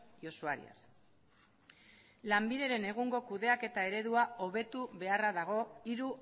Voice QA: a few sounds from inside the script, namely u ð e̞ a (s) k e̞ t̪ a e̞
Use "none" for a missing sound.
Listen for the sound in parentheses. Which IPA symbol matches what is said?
none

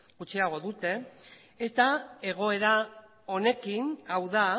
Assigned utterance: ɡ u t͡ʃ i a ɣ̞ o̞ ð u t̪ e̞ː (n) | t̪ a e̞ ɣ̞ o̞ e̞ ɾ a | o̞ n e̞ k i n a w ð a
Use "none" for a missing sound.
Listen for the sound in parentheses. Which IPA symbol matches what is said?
none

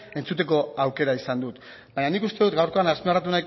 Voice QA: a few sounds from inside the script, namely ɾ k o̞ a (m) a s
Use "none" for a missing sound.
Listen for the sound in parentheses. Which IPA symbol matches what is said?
n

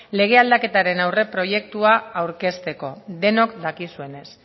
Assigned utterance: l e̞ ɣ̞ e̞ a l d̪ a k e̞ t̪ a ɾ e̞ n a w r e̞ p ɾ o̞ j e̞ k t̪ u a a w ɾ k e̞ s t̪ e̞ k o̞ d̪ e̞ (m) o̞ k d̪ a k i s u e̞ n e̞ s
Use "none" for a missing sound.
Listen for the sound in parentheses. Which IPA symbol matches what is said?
n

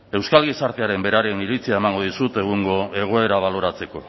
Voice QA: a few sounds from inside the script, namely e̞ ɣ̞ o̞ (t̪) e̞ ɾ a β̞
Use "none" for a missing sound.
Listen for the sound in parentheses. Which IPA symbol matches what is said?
none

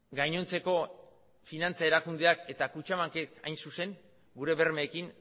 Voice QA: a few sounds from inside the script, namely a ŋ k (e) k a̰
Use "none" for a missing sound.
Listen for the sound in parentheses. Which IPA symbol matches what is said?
e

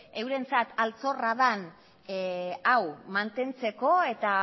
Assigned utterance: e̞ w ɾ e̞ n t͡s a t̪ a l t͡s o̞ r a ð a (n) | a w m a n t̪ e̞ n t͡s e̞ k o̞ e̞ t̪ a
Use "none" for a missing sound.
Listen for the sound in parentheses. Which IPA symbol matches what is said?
n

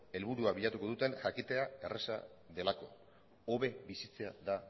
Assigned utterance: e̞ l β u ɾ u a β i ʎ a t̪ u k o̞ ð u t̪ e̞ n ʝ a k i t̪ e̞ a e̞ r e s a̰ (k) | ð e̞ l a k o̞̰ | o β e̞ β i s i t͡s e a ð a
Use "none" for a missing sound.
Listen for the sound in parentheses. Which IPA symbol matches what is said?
none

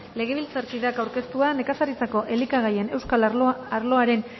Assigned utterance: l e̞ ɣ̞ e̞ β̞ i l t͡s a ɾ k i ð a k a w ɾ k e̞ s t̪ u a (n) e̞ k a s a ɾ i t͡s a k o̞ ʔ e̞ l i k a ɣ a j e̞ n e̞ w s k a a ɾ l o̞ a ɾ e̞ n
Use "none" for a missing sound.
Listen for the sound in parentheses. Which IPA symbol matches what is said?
n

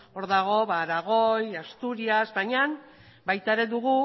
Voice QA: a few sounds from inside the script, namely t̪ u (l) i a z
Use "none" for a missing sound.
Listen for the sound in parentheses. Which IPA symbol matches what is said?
ɾ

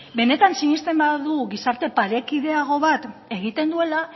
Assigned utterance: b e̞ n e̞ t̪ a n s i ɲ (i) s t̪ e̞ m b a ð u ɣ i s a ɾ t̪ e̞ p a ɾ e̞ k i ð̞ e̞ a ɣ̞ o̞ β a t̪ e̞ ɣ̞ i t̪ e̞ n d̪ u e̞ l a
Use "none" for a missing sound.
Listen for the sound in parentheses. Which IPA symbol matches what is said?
i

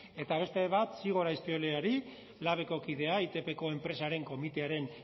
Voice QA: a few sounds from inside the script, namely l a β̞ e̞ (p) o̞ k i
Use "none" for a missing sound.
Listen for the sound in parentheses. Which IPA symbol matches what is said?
k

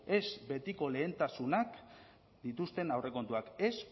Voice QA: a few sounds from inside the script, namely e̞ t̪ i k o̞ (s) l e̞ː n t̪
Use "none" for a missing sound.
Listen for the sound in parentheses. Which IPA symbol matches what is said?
none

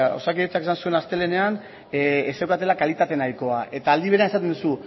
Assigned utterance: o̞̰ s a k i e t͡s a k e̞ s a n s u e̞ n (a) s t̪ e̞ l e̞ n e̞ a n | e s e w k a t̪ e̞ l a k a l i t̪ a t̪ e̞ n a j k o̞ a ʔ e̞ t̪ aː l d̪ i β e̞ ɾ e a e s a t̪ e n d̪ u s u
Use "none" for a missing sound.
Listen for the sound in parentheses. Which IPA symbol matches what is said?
a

